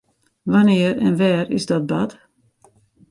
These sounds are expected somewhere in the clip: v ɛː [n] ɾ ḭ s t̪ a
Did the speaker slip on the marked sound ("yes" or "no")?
yes